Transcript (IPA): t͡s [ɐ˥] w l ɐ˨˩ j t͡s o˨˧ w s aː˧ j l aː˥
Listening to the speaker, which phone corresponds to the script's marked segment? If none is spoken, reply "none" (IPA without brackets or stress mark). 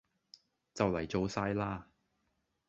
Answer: ɐ˨